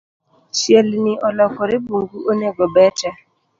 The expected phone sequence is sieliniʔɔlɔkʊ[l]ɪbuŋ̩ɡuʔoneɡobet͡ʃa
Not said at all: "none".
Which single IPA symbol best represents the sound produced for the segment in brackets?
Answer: ɾ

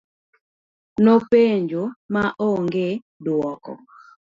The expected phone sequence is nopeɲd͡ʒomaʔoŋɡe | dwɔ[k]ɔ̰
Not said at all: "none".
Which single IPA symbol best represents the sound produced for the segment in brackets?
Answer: k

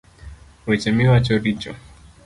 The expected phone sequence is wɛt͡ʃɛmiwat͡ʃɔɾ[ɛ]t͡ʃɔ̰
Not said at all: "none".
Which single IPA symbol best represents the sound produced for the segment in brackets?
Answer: i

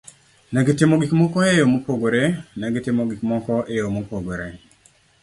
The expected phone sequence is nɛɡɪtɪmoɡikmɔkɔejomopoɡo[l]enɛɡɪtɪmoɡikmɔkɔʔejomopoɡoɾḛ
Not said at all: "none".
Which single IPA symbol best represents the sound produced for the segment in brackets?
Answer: ɾ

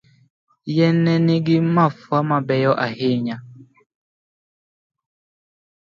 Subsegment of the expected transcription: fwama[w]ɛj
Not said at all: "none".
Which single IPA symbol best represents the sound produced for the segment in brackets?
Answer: b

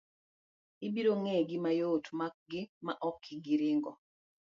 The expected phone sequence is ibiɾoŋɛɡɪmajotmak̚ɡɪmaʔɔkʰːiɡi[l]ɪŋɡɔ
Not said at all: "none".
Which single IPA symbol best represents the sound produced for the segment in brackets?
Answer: ɾ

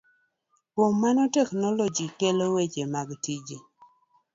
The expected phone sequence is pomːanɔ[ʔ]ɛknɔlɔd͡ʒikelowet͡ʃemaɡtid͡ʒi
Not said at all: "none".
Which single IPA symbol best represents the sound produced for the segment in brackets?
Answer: t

